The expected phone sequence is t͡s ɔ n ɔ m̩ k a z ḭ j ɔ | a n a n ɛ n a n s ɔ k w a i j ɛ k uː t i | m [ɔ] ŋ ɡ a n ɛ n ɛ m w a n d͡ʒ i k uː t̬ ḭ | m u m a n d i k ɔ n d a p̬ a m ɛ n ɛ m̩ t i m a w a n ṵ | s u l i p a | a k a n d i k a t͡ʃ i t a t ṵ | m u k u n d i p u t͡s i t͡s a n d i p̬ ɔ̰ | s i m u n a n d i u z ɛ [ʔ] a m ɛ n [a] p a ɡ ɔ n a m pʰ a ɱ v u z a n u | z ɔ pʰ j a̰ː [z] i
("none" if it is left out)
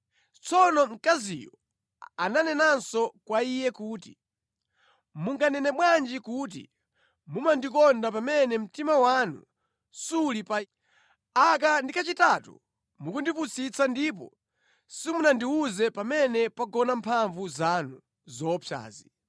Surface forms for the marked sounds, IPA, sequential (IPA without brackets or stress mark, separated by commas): u, p, ɛ, z